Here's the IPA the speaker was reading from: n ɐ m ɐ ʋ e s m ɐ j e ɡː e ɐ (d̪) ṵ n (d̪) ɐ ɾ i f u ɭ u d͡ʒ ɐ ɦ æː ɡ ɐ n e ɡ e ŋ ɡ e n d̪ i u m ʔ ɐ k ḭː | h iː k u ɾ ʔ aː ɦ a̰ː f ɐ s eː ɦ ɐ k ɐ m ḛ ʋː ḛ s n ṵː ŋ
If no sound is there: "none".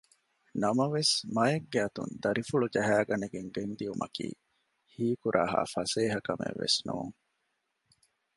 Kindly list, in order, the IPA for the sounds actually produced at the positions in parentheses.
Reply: t̪, d̪

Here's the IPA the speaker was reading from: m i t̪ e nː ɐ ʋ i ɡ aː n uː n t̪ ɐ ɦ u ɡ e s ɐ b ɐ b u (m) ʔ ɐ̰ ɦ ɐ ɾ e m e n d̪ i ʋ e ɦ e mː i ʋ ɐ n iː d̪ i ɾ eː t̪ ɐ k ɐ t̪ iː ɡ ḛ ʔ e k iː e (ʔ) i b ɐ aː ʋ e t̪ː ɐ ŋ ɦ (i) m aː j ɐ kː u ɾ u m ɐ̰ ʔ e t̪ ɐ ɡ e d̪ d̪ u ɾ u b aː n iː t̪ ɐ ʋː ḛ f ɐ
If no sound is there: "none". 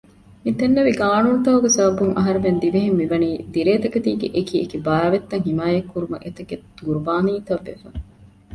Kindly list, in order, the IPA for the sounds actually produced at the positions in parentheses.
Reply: ŋ, k, i

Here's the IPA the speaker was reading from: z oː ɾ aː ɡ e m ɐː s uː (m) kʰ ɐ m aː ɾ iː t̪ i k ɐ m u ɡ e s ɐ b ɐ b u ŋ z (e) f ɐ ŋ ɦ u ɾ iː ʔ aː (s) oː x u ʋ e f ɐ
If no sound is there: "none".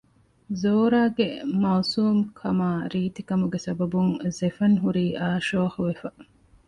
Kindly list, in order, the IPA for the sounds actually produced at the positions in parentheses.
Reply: m, e, ʃ

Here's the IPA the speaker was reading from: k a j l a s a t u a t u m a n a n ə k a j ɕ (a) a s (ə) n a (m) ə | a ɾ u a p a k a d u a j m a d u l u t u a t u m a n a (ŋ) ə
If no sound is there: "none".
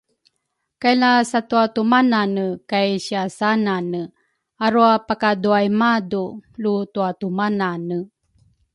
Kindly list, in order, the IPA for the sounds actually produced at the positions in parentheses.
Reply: i, a, n, n

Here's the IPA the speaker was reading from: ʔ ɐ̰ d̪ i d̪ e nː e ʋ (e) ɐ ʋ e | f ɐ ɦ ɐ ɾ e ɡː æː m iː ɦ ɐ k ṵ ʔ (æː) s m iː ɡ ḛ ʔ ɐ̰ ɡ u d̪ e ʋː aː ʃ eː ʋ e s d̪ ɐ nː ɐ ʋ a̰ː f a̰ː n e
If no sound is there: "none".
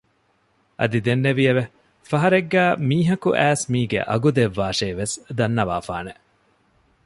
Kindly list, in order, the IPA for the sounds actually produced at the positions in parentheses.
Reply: i, æː

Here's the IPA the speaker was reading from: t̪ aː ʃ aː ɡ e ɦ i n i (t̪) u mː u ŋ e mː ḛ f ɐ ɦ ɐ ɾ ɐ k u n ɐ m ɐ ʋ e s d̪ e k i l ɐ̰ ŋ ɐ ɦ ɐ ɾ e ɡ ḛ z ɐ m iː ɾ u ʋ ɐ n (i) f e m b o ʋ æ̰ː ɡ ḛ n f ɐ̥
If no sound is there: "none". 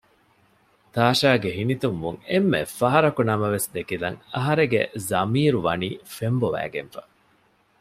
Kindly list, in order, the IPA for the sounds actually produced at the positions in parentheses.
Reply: t̪, iː

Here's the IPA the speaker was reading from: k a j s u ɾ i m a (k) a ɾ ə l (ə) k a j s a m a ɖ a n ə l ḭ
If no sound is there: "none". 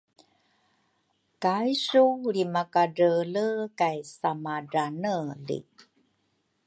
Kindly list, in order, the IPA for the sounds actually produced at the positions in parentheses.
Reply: k, ə

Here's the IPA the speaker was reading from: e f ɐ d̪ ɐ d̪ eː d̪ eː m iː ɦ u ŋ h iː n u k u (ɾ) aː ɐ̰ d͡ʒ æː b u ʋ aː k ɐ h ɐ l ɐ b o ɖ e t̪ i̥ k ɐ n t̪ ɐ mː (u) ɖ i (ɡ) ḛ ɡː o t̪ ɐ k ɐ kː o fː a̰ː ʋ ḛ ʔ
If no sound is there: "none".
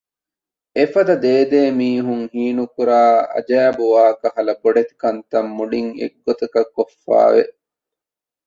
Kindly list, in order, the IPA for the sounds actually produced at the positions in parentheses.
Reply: ɾ, u, ŋ

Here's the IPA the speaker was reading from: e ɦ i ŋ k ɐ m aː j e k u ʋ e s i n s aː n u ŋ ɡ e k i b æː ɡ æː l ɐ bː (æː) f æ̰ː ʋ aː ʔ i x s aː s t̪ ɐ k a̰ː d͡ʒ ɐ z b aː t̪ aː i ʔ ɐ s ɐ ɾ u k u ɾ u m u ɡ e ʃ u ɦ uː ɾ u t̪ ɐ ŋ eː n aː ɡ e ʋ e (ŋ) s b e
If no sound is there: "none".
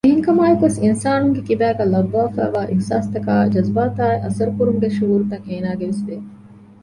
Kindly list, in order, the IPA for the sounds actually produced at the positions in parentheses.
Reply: aː, none

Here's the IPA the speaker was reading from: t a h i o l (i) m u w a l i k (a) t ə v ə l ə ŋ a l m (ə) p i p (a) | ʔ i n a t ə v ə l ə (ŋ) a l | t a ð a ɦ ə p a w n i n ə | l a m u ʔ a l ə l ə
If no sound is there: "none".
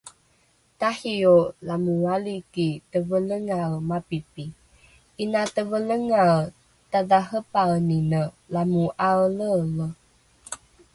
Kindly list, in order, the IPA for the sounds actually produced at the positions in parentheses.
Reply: a, i, a, i, ŋ

